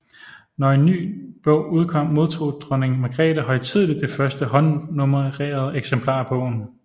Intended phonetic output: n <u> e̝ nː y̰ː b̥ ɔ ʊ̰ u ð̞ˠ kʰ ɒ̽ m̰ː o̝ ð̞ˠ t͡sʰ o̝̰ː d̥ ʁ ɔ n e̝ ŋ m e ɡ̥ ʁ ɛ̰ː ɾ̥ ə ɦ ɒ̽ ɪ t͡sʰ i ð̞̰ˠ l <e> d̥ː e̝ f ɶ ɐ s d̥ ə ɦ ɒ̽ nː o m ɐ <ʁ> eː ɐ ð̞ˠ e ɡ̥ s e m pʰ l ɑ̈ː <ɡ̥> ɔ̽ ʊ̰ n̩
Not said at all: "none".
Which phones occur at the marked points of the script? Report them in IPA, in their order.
ɒ, i, ʁ, b̥

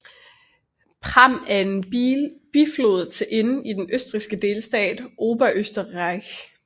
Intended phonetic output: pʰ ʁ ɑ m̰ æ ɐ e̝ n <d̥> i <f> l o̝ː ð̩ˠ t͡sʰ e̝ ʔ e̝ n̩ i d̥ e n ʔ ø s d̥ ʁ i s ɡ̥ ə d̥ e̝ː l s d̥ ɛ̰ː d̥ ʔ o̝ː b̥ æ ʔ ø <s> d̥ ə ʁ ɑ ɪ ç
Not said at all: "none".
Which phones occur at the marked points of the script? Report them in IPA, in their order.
b̥, f, s

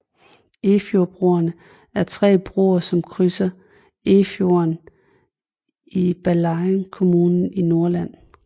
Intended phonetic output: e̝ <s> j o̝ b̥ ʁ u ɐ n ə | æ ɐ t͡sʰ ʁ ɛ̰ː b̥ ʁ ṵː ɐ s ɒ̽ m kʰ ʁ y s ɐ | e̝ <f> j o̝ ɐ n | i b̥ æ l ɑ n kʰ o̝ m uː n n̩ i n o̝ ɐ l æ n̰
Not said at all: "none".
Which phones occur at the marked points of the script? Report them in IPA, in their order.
f, f

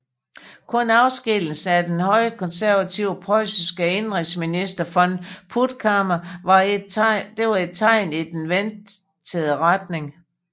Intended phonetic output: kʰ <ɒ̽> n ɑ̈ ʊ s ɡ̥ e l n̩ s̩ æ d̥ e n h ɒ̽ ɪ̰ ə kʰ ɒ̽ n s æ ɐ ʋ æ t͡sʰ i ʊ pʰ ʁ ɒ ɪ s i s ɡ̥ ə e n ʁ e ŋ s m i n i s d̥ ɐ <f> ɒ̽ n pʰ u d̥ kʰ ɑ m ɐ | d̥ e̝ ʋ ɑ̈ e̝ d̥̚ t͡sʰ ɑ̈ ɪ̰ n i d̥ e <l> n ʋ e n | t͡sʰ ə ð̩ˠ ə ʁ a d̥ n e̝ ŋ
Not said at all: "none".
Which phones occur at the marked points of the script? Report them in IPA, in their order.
ɔ̽, f, none

